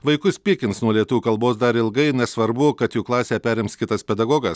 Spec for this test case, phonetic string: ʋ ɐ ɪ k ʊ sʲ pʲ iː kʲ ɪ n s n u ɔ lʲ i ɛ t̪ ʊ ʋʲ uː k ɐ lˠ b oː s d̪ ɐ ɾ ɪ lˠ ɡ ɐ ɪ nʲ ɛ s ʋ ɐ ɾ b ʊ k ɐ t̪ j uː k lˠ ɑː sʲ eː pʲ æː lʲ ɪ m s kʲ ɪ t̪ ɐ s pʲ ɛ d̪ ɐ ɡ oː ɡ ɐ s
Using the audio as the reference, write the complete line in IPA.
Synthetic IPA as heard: ʋ ɐ ɪ k ʊ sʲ pʲ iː kʲ ɪ n s n u ɔ lʲ i ɛ t̪ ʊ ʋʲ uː k ɐ lˠ b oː s d̪ ɐ ɾ ɪ lˠ ɡ ɐ ɪ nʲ ɛ s ʋ ɐ ɾ b ʊ k ɐ t̪ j uː k lˠ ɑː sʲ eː pʲ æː ɾʲ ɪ m s kʲ ɪ t̪ ɐ s pʲ ɛ d̪ ɐ ɡ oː ɡ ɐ s